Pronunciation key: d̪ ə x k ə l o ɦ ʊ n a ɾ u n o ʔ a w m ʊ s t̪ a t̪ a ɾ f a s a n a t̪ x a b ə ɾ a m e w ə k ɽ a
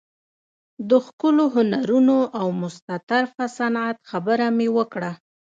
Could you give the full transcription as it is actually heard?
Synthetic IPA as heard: d̪ ə x k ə l o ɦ ʊ n a ɾ u n o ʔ a w m ʊ s t̪ a t̪ a ɾ f a s a n a t̪ x a b ə ɾ a m e w ə k ɽ a